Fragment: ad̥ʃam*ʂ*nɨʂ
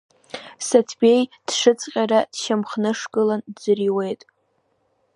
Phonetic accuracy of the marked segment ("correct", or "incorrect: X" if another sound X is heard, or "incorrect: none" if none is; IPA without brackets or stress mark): incorrect: χ